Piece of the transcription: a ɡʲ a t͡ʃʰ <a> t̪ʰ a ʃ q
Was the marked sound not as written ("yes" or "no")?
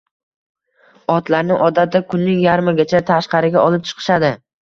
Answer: no